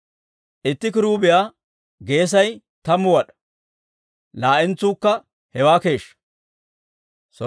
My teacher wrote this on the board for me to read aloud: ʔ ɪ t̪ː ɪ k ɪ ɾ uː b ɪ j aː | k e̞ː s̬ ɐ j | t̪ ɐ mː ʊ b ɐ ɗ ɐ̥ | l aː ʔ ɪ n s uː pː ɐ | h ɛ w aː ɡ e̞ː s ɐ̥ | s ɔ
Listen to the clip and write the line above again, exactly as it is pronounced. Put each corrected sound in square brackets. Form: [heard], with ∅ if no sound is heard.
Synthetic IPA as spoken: ʔ ɪ t̪ː ɪ k ɪ ɾ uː b ɪ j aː | [ɡ] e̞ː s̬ ɐ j | t̪ ɐ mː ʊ [w] ɐ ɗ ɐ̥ | l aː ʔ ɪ n [t͡s] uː [kː] ɐ | h ɛ w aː [k] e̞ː [ʃ] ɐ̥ | s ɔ